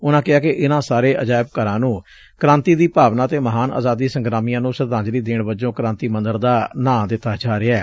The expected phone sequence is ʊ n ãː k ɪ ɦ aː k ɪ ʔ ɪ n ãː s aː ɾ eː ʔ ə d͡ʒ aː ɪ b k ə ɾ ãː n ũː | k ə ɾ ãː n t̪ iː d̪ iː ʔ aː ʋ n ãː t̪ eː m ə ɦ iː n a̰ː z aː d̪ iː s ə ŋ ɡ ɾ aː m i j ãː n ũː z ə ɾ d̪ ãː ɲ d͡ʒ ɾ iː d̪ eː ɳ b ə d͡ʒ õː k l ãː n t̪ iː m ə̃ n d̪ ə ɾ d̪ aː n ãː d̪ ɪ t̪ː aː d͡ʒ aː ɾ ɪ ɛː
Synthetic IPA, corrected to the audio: ʊ n ãː k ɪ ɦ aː k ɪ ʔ ɪ n ãː s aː ɾ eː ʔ ə d͡ʒ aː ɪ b k ə ɾ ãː n ũː | k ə ɾ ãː n t̪ iː d̪ iː p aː ʋ n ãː t̪ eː m ə ɦ aː n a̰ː z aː d̪ iː s ə ŋ ɡ ɾ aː m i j ãː n ũː s ə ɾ d̪ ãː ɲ d͡ʒ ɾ iː d̪ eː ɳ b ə d͡ʒ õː k ɾ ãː n t̪ iː m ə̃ n d̪ ə ɾ d̪ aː n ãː d̪ ɪ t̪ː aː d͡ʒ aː ɾ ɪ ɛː